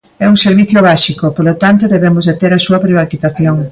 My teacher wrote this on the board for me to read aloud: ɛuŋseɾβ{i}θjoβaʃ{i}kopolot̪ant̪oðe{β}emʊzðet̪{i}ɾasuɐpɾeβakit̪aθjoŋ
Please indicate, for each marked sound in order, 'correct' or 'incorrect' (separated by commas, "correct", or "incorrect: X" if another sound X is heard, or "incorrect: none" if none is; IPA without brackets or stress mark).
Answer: correct, correct, correct, incorrect: e